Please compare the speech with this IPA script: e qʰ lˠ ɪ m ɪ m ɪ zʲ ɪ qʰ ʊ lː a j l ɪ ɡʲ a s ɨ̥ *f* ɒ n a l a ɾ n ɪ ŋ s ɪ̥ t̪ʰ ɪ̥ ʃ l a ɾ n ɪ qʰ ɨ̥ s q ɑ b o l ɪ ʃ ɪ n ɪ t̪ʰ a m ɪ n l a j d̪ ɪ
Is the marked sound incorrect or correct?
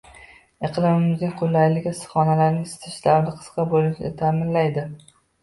incorrect